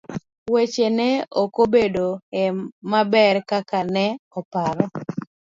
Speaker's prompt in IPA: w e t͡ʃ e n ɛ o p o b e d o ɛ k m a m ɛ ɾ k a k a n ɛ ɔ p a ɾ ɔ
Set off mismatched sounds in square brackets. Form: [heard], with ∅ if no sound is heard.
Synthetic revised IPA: w e t͡ʃ e n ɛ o [k] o b e d o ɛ [∅] m a [b] ɛ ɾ k a k a n ɛ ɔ p a ɾ ɔ